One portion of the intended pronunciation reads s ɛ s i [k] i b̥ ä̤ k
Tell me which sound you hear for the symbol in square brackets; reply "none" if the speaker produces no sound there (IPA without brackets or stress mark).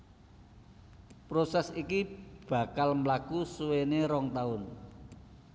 k